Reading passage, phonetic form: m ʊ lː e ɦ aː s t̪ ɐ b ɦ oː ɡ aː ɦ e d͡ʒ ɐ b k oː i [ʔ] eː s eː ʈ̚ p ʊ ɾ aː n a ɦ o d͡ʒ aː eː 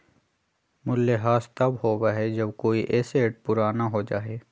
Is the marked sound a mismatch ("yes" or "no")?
no